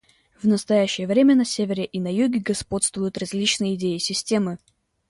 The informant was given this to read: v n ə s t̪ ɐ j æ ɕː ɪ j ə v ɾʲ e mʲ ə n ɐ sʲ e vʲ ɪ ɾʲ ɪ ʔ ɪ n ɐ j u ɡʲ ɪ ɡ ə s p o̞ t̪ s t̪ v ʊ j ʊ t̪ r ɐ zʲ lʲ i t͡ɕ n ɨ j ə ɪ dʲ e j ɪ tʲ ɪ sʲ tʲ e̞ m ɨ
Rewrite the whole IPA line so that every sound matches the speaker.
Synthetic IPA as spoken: v n ə s t̪ ɐ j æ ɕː ɪ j ə v ɾʲ e mʲ ə n ɐ sʲ e vʲ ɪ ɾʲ ɪ ʔ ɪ n ɐ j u ɡʲ ɪ ɡ ɐ s p o̞ t̪ s t̪ v ʊ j ʊ t̪ r ɐ zʲ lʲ i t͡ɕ n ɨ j ə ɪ dʲ e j ɪ sʲ ɪ sʲ tʲ e̞ m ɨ